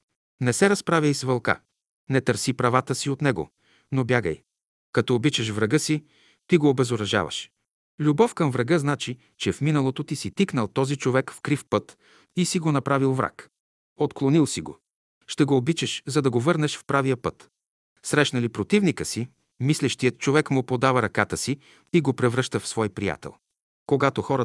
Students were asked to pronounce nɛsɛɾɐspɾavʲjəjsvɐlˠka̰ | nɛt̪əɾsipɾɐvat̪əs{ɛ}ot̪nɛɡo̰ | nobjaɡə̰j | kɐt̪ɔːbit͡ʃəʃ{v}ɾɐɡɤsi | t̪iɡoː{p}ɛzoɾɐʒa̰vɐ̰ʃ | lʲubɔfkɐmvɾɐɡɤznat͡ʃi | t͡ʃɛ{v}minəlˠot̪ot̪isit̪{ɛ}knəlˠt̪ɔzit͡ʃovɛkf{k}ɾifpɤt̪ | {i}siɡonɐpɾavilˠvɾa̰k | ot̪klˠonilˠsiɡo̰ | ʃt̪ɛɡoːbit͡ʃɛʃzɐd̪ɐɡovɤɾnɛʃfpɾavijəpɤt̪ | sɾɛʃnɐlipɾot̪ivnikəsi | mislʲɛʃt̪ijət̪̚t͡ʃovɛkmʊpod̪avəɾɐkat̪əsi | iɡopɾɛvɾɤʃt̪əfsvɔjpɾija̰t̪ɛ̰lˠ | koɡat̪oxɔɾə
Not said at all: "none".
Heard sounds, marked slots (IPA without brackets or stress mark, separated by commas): i, v, b, f, i, k, i